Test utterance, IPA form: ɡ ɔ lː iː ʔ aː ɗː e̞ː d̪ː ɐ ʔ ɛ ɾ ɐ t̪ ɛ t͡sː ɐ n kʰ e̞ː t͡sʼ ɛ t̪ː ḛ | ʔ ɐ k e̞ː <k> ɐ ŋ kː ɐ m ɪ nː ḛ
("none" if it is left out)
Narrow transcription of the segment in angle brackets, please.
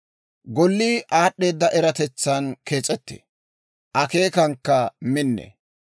k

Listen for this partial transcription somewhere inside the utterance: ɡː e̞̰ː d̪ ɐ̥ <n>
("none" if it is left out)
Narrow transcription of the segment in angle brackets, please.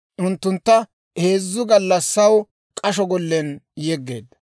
none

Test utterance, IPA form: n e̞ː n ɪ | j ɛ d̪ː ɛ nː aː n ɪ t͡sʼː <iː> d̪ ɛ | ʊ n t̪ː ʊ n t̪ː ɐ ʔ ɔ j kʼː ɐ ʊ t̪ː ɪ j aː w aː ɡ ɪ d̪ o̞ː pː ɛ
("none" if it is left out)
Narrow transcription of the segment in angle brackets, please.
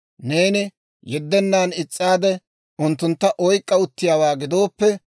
aː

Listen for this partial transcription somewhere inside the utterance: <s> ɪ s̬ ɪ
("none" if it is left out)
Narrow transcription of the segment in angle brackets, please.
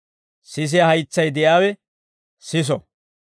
s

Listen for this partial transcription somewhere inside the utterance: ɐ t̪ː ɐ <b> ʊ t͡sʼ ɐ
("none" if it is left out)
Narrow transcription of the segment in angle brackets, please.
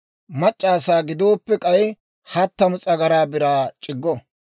m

